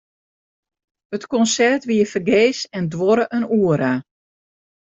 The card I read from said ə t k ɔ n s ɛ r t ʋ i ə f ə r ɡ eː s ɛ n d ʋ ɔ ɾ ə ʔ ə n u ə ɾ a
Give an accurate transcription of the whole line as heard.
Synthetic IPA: ə t k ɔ n s ɛ r t ʋ i ə f ə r ɡ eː s ɛ n d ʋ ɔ ɾ ə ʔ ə n u ə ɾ a